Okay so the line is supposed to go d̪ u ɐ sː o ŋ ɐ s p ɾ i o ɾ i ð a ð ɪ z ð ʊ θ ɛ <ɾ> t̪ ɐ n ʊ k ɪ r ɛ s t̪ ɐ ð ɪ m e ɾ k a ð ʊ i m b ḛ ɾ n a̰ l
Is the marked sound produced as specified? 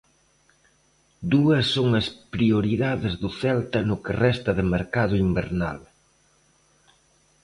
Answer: no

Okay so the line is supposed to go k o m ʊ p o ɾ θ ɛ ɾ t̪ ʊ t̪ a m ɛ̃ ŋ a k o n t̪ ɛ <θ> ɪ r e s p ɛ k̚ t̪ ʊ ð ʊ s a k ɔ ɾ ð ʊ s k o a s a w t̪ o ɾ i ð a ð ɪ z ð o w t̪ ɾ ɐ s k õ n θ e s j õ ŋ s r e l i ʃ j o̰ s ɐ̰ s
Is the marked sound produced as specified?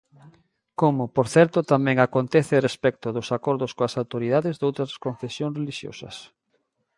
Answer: yes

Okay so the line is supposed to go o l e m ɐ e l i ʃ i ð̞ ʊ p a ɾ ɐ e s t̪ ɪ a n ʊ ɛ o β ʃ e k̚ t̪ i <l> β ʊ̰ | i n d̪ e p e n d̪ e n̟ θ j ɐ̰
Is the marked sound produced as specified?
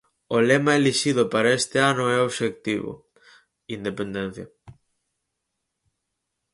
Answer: no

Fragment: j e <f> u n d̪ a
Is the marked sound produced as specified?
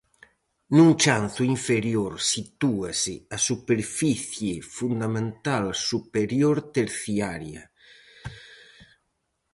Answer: yes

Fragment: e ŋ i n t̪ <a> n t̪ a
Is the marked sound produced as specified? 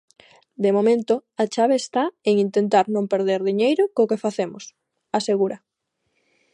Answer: no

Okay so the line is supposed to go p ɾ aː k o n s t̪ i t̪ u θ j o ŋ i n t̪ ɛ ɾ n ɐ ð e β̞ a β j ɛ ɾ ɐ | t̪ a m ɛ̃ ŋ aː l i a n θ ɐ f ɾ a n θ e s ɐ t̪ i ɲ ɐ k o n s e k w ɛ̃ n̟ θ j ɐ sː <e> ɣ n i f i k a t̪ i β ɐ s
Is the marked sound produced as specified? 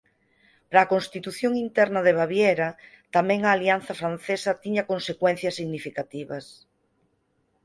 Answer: no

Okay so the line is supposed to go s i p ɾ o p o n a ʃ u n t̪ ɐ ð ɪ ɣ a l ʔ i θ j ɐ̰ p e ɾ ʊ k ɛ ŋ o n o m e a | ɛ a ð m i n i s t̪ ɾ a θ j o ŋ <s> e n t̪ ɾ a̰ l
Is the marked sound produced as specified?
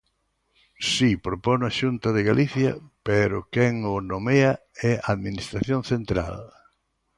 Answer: no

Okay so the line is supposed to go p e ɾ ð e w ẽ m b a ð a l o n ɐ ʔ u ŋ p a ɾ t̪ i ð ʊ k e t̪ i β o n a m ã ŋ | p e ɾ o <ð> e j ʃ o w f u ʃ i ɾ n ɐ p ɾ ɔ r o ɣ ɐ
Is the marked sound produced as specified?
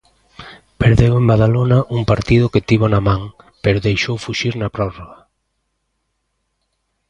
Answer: yes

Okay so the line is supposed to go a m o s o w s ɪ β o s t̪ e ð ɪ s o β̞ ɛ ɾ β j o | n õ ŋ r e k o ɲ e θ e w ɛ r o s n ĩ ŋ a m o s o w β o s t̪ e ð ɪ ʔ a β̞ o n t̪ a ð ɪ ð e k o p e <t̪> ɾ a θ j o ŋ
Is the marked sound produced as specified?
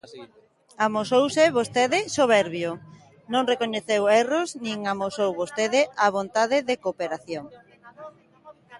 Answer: no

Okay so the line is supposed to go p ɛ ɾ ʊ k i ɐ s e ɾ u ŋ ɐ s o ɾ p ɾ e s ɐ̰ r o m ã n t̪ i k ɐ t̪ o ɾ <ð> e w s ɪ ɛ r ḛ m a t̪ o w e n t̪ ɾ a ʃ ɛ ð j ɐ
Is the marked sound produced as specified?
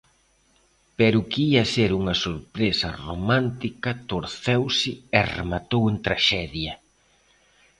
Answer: no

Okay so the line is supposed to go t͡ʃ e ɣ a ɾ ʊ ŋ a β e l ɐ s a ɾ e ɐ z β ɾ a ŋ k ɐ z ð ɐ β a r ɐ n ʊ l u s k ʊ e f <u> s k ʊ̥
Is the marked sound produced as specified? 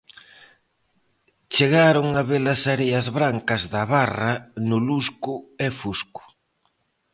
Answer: yes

